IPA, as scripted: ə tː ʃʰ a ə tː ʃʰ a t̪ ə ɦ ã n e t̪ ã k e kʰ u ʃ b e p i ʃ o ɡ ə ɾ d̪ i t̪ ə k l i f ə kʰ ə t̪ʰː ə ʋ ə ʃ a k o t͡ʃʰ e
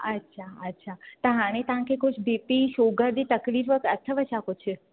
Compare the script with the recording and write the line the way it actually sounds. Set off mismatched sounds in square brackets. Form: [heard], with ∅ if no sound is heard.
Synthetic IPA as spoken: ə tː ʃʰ a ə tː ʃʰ a t̪ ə ɦ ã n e t̪ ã k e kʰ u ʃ b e p i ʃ o ɡ ə ɾ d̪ i t̪ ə k l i f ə [k] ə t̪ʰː ə ʋ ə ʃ a k o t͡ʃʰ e